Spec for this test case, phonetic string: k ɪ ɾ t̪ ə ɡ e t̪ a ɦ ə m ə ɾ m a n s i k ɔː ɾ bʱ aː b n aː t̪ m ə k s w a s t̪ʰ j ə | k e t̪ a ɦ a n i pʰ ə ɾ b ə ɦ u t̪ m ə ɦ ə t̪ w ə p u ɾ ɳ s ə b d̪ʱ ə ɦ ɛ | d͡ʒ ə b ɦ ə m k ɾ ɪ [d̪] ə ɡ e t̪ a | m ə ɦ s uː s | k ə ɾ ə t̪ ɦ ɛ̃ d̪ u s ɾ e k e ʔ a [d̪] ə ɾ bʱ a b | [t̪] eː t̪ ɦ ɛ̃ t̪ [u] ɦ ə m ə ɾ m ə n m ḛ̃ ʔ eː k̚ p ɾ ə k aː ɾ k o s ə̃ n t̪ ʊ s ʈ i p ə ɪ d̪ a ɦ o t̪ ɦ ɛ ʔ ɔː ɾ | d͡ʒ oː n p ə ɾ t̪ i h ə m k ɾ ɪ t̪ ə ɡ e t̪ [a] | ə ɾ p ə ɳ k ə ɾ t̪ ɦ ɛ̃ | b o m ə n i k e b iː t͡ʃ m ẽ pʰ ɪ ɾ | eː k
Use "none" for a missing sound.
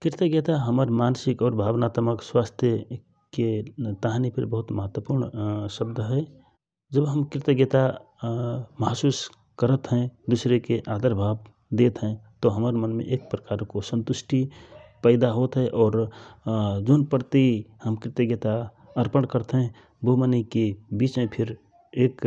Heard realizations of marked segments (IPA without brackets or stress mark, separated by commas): t̪, d̪, d̪, o, a